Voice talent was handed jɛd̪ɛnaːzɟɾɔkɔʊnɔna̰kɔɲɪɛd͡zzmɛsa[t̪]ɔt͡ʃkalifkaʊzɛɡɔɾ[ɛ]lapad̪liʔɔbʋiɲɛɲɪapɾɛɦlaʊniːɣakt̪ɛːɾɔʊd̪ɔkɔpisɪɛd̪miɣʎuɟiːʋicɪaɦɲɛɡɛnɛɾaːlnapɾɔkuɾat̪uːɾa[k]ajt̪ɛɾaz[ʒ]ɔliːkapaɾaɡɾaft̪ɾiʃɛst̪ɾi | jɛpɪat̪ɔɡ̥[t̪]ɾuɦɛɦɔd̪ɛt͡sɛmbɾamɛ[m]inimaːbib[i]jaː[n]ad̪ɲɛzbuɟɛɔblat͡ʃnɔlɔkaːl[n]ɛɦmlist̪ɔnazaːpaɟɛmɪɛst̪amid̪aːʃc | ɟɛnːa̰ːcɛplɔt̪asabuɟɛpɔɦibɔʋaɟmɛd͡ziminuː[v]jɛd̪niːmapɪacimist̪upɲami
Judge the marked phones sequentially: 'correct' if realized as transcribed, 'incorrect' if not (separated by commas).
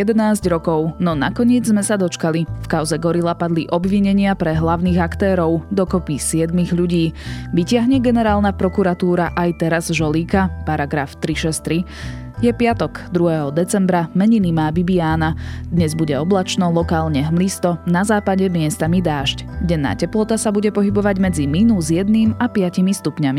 incorrect, incorrect, incorrect, correct, incorrect, incorrect, correct, correct, incorrect, incorrect